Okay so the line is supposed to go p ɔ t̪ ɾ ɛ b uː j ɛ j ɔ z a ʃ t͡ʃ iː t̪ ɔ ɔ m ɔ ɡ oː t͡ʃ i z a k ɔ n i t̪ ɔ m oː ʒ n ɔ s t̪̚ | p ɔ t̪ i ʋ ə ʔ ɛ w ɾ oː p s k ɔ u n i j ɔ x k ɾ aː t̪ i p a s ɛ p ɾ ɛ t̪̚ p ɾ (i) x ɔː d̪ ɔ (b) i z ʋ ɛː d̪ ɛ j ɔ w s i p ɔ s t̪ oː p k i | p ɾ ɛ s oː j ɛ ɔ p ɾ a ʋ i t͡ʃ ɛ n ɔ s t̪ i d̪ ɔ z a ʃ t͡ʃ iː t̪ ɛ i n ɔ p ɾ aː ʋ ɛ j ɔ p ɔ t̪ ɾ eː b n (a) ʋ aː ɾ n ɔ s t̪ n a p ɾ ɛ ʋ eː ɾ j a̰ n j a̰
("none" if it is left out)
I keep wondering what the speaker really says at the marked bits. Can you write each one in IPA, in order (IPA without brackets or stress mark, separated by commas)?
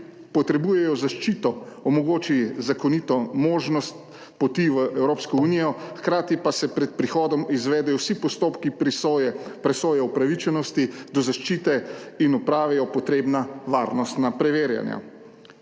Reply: i, m, a